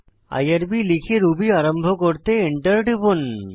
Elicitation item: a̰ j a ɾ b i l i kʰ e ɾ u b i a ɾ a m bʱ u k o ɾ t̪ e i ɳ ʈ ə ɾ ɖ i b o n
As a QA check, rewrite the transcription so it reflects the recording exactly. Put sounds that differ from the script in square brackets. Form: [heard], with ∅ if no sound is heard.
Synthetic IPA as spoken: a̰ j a ɾ b i l i kʰ e ɾ u b i a ɾ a m bʱ [o] k o ɾ t̪ e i ɳ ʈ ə ɾ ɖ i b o n